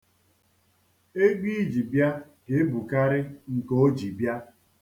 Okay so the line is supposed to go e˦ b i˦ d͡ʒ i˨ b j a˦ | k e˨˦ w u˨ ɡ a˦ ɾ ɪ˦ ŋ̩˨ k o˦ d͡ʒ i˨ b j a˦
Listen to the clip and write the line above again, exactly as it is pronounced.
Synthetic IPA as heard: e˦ ɡ͡b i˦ d͡ʒ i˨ b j a˦ | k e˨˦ b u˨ k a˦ ɾ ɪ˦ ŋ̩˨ k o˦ d͡ʒ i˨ b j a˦